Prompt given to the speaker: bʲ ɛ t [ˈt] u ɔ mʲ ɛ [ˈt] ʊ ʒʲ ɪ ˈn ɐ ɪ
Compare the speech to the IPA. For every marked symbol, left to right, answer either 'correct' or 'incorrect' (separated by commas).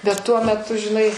correct, correct